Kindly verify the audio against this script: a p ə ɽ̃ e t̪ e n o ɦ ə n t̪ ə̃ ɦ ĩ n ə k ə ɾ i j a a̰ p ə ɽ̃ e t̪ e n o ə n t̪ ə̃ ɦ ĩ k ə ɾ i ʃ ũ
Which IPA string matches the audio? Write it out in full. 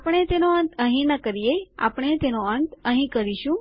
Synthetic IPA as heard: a p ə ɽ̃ e t̪ e n o ə n t̪ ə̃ ɦ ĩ n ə k ə ɾ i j e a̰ p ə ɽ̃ e t̪ e n o ə n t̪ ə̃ ɦ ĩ k ə ɾ i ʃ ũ